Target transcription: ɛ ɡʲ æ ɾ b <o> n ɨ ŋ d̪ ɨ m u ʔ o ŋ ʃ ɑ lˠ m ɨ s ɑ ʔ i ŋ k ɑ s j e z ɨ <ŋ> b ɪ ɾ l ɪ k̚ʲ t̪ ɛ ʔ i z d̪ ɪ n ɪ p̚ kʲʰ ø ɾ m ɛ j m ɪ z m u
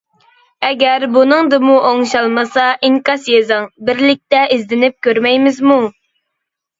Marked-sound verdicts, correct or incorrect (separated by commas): incorrect, correct